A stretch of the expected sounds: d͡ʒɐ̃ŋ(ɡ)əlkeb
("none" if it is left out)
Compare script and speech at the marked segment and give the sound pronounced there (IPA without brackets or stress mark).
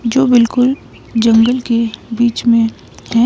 ɡ